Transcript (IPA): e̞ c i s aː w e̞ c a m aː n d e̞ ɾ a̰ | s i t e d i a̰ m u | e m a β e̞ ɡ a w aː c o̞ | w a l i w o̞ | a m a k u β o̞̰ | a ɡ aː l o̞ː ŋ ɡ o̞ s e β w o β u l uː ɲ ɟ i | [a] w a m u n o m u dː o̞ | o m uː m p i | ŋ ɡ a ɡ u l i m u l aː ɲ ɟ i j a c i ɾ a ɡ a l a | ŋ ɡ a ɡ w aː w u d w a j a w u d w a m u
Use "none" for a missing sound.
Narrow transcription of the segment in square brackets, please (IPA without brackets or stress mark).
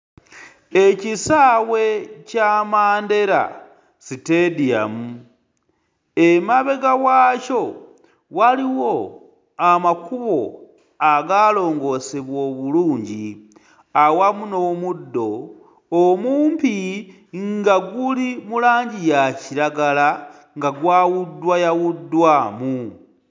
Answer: a